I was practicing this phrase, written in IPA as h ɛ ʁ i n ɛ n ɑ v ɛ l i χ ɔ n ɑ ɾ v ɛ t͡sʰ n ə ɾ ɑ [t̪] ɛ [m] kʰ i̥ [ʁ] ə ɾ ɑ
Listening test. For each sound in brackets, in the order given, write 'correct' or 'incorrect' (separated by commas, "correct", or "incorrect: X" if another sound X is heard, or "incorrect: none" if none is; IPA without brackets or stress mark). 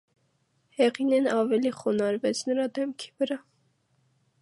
incorrect: d̪, correct, incorrect: v